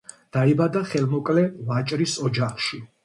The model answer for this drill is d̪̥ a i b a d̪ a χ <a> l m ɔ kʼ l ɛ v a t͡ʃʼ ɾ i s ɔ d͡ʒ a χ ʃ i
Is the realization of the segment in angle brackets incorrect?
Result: yes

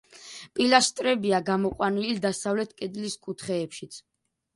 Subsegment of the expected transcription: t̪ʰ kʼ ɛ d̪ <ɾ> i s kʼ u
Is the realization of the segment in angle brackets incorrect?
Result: yes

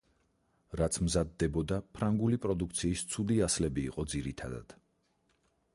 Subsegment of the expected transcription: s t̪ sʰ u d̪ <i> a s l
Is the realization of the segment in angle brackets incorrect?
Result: no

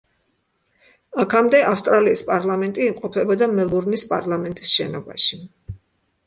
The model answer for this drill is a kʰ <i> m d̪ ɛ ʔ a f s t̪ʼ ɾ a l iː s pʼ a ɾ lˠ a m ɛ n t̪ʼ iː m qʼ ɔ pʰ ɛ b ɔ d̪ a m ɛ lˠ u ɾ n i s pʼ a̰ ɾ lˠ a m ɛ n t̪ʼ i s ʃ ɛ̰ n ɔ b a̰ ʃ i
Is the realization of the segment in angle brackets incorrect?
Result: yes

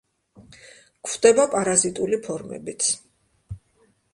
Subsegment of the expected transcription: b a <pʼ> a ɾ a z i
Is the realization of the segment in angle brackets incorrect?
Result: no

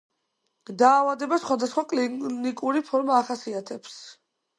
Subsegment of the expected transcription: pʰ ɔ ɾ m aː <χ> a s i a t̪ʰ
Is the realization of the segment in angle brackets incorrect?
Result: no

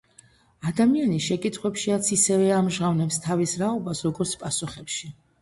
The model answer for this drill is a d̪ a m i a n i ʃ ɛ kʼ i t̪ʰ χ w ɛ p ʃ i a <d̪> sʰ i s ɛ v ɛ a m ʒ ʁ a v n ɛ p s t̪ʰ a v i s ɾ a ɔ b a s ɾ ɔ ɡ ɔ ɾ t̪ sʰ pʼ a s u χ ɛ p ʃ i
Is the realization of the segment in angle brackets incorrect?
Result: yes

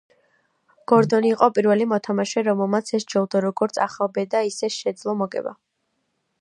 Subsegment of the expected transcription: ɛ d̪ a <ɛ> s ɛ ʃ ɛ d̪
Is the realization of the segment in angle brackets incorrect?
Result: yes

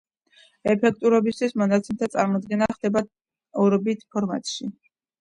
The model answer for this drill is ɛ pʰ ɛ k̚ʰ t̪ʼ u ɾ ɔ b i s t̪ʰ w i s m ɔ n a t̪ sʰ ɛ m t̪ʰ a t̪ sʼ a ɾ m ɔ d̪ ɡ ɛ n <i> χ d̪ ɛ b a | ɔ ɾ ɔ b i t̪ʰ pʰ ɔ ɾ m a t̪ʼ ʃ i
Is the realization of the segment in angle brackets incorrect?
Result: yes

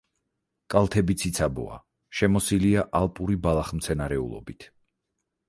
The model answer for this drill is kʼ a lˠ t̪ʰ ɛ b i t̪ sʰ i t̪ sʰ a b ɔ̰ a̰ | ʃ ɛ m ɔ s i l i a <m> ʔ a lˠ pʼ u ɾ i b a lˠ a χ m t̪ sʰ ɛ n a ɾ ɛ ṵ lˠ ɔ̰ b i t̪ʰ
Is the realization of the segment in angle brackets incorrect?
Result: yes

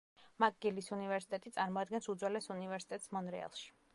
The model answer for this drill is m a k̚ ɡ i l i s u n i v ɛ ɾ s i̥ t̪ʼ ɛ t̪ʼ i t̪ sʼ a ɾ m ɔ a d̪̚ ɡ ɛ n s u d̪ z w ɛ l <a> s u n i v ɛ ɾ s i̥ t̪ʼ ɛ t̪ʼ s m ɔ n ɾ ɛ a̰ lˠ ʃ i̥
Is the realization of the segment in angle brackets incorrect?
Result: yes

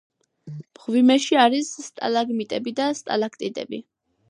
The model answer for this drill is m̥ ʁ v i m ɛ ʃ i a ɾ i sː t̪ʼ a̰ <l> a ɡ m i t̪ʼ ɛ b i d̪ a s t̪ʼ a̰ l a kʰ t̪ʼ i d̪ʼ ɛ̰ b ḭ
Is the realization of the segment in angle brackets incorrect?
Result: no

